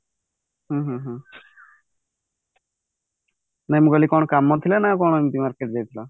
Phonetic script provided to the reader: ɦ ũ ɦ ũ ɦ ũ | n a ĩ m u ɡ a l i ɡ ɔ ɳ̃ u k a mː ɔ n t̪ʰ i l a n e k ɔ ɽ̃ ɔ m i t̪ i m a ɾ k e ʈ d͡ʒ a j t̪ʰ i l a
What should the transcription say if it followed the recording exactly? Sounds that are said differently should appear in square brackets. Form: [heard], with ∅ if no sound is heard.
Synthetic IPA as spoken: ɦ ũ ɦ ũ ɦ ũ | n a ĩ m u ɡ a l i [k] ɔ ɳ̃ [ɔ] k a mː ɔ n t̪ʰ i l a n [a] k ɔ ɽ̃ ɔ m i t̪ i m a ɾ k e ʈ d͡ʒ a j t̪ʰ i l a

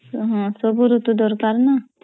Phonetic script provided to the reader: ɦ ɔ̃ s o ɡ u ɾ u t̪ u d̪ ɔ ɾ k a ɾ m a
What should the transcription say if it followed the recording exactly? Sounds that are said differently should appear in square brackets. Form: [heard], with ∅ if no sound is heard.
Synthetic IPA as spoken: ɦ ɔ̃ s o [b] u ɾ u t̪ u d̪ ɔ ɾ k a ɾ [n] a

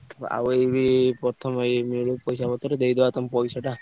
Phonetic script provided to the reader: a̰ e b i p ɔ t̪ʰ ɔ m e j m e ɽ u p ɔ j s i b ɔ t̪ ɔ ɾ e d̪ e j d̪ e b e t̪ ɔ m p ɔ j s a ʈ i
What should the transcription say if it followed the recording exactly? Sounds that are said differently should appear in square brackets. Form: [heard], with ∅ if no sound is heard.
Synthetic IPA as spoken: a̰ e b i p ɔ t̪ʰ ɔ m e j m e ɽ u p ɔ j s [a] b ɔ t̪ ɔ ɾ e d̪ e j d̪ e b [a] t̪ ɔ m p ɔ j s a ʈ [a]

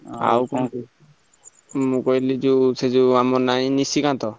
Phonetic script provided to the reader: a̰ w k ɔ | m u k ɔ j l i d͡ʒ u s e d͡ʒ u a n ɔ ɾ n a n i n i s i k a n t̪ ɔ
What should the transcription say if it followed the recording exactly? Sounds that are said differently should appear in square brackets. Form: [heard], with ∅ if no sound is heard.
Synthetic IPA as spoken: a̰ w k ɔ | m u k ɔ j l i d͡ʒ u s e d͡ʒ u a [m] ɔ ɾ n a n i n i s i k a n t̪ ɔ

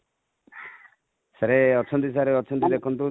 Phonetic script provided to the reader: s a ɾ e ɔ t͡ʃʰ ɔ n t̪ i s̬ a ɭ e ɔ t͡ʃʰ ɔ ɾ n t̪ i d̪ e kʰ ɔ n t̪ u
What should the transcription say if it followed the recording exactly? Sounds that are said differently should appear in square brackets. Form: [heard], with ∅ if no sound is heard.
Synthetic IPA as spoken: s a ɾ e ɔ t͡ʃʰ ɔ n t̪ i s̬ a [ɾ] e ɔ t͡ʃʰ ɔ [∅] n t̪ i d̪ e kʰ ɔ n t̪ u

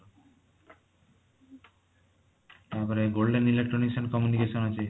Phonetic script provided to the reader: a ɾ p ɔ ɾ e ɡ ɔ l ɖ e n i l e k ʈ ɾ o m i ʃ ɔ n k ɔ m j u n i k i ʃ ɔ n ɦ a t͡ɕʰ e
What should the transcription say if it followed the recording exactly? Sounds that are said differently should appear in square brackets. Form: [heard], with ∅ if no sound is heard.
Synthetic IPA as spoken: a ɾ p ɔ ɾ e ɡ [o] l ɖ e n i l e k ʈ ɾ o [n] i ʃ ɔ n k ɔ m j u n i k [e] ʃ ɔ n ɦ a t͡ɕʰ e

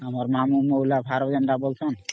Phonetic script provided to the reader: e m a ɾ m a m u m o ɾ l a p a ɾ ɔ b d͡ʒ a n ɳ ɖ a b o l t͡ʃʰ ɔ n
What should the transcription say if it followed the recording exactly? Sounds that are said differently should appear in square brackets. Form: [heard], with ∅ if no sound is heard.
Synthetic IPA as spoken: [a] m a ɾ m a m u m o [∅] l a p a ɾ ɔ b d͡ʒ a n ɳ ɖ a b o l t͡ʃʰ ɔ n

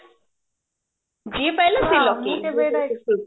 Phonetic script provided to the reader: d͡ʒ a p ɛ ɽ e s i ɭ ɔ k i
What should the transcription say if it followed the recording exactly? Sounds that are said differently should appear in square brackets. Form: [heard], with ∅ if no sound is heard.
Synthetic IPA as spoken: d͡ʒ [i] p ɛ [l] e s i [l] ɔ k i

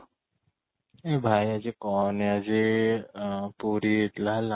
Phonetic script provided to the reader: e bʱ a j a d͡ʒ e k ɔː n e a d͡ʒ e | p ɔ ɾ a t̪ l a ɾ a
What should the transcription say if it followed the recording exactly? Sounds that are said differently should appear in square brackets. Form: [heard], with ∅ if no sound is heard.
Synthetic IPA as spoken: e bʱ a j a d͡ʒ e k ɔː n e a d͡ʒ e | p [u] ɾ [i] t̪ l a [l] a

